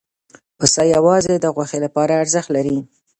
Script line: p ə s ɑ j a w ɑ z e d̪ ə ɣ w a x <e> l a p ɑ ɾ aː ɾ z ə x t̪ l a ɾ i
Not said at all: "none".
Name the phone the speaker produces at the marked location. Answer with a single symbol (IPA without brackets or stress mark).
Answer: e